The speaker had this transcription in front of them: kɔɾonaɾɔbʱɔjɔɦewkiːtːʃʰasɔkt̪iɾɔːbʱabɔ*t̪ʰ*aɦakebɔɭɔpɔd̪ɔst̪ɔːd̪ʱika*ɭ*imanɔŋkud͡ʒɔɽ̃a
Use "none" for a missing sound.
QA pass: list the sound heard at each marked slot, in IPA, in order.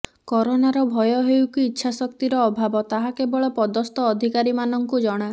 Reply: t̪, ɾ

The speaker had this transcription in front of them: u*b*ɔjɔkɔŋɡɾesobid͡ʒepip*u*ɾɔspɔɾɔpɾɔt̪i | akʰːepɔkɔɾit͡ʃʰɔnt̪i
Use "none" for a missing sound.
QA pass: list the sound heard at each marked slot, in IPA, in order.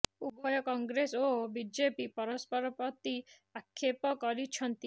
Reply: b, ɔ

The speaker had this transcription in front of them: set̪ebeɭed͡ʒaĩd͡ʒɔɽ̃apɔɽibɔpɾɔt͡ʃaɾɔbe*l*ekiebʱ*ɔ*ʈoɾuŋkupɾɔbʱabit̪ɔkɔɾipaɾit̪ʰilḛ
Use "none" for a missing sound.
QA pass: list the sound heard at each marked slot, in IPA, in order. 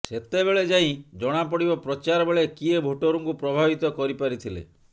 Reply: ɭ, o

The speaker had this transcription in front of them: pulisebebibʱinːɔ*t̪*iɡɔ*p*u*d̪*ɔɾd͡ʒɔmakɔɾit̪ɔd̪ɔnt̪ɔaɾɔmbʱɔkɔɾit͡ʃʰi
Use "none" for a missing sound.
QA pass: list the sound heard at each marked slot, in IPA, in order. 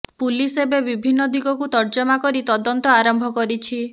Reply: d̪, k, t̪

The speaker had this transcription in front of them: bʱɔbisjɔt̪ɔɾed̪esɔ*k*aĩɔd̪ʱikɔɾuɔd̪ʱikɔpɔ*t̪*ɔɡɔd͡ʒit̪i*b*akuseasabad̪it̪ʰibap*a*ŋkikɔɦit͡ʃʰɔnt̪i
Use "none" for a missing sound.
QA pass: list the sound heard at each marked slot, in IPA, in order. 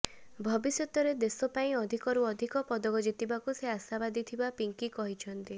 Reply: p, d̪, b, i

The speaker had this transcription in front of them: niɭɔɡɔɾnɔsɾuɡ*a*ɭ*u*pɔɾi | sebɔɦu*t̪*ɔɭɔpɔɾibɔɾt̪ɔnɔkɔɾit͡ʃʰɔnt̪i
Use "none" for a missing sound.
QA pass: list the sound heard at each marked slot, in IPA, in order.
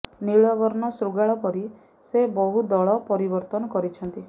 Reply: a, ɔ, d̪

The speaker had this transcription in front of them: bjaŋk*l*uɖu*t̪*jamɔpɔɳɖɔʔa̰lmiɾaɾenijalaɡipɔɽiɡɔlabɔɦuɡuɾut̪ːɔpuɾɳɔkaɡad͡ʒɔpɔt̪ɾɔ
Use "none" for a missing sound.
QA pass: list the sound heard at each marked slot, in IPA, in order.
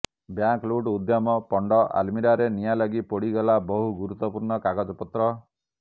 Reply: l, d̪

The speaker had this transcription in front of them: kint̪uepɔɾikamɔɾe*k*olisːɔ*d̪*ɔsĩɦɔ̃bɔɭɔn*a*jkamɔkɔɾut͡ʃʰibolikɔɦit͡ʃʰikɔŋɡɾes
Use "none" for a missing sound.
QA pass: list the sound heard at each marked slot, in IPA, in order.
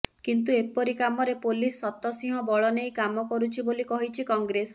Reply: p, t̪, e

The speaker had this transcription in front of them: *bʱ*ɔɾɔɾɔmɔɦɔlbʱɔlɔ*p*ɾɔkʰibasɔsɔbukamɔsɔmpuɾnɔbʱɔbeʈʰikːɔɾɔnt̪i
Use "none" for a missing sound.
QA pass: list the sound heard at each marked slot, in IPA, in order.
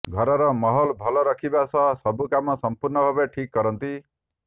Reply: ɡʱ, none

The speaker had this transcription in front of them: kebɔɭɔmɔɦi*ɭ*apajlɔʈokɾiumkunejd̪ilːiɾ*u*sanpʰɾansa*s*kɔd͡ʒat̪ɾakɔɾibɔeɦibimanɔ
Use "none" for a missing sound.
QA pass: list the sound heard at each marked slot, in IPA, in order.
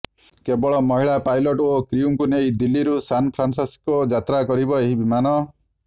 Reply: ɭ, u, s

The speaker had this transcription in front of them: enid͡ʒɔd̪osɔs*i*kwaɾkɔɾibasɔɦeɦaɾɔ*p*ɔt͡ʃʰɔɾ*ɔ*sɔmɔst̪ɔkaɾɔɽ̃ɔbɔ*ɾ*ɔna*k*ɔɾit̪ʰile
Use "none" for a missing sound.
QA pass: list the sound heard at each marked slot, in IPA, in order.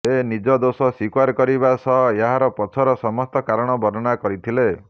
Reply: i, p, ɔ, ɾ, k

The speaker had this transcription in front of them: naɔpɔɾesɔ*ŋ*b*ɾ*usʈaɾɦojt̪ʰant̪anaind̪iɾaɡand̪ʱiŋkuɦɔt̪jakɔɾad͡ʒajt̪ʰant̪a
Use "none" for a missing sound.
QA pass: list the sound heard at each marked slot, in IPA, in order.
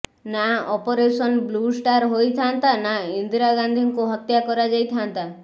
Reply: n, l

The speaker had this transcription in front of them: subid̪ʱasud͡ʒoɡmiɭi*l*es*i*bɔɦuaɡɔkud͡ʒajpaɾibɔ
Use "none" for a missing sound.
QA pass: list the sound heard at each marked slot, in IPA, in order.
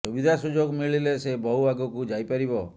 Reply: l, e

